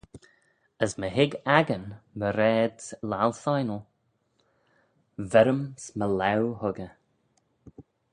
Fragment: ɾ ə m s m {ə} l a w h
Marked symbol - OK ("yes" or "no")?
yes